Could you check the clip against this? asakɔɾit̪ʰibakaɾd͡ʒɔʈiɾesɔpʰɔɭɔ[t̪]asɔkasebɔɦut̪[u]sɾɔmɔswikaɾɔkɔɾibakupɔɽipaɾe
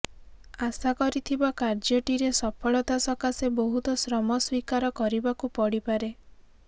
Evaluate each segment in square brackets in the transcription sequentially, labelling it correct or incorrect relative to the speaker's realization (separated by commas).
correct, incorrect